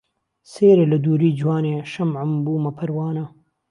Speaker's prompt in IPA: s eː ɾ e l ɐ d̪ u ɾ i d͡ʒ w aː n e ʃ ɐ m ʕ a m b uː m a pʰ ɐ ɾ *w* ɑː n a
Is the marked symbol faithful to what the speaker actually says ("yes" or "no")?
yes